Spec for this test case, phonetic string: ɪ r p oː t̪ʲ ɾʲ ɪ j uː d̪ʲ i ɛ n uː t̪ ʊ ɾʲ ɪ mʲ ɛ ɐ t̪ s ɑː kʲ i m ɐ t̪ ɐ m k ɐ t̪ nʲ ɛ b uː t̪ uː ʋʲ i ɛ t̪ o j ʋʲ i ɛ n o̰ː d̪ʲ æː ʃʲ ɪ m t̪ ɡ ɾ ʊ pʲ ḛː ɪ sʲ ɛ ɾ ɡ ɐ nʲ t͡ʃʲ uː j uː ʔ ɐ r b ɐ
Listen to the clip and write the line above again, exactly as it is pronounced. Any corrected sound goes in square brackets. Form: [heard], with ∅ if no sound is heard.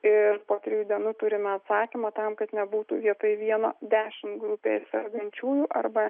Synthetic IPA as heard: ɪ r p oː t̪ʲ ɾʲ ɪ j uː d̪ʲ i ɛ n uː t̪ ʊ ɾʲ ɪ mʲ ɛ ɐ t̪ s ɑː kʲ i m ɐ t̪ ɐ m k ɐ t̪ nʲ ɛ b uː t̪ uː ʋʲ i ɛ t̪ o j ʋʲ i ɛ n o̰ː d̪ʲ æː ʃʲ ɪ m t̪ ɡ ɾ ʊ pʲ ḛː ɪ sʲ ɛ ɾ ɡ ɐ nʲ t͡ʃʲ uː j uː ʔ ɐ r b ɐ